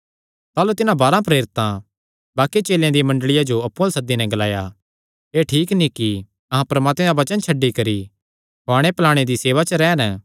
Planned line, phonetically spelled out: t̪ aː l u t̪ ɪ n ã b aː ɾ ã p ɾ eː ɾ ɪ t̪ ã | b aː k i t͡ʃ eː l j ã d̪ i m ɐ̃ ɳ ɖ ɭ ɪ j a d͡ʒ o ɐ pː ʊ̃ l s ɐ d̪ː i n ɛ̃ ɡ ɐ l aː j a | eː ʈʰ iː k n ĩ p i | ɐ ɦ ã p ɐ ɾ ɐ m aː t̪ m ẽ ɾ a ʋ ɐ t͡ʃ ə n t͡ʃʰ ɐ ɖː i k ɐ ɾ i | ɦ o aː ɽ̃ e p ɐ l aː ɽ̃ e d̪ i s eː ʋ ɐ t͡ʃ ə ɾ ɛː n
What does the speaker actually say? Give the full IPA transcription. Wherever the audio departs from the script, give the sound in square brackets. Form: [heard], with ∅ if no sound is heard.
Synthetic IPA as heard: t̪ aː l u t̪ ɪ n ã b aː ɾ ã p ɾ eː ɾ ɪ t̪ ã | b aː k i t͡ʃ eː l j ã d̪ i m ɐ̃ ɳ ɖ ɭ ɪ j a d͡ʒ o ɐ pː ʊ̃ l s ɐ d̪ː i n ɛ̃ ɡ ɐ l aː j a | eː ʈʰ iː k n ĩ [k] i | ɐ ɦ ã p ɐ ɾ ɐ m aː t̪ m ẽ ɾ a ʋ ɐ t͡ʃ ə n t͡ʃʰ ɐ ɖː i k ɐ ɾ i | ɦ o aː ɽ̃ e p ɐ l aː ɽ̃ e d̪ i s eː ʋ [a] t͡ʃ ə ɾ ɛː n